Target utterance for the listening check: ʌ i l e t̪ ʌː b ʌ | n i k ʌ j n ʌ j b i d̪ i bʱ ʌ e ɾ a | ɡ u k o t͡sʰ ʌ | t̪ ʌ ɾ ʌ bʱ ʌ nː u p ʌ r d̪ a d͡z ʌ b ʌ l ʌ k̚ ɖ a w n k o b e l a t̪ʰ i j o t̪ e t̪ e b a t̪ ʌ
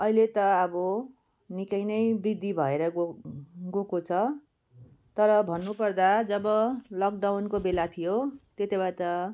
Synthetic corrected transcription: ʌ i l e t̪ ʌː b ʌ | n i k ʌ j n ʌ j b i d̪ i bʱ ʌ e ɾ ʌ | ɡ o k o t͡sʰ ʌ | t̪ ʌ ɾ ʌ bʱ ʌ nː u p ʌ r d̪ a d͡z ʌ b ʌ l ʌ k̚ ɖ a w n k o b e l a t̪ʰ i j o t̪ e t̪ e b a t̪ ʌ